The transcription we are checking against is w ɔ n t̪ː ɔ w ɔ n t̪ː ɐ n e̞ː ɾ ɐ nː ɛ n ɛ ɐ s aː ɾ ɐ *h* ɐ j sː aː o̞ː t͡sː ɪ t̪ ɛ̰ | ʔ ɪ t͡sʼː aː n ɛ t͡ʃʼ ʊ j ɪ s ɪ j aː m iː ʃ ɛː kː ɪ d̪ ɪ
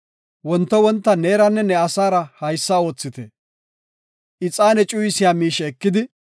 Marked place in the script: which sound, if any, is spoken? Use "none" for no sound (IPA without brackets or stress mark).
h